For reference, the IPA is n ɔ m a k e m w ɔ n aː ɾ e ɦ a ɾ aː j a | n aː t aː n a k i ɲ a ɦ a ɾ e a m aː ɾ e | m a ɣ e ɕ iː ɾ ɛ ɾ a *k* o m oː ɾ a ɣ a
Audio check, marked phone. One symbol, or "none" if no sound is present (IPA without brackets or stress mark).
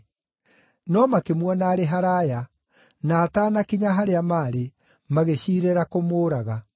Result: k